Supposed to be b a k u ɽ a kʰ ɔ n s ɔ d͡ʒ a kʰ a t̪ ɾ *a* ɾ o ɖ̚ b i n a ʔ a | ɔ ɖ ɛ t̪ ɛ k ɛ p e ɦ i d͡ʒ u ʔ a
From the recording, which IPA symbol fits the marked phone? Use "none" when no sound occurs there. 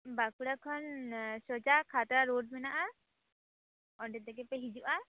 a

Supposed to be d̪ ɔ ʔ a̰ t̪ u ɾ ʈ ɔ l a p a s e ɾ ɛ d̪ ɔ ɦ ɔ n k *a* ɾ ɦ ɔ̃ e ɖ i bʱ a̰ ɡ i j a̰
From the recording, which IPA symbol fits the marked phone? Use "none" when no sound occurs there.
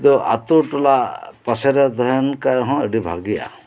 a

